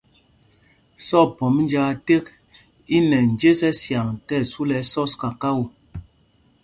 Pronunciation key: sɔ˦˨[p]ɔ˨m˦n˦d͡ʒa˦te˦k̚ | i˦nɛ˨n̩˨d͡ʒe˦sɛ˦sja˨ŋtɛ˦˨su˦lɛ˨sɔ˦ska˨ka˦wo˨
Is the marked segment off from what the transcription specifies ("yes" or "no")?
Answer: no